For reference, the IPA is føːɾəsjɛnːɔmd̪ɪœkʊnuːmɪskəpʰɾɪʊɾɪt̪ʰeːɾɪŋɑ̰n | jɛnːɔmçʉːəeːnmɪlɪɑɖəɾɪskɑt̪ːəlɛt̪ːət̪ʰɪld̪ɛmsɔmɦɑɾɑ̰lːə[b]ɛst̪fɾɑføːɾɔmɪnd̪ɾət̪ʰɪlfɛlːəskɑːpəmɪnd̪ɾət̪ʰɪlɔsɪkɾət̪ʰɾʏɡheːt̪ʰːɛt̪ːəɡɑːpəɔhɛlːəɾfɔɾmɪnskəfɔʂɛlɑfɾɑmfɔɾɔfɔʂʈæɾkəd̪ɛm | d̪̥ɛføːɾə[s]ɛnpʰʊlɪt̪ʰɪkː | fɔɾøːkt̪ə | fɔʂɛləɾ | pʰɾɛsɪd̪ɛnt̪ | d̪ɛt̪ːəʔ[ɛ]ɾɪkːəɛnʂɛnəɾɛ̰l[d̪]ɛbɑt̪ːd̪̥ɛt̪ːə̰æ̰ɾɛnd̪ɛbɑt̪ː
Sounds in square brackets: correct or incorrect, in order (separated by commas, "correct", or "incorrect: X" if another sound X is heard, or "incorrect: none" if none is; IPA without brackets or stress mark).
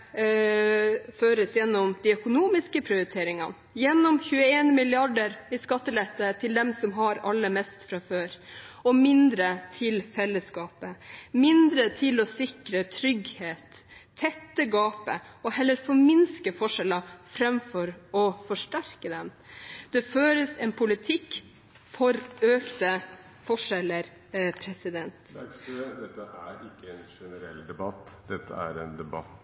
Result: incorrect: m, correct, incorrect: æ, correct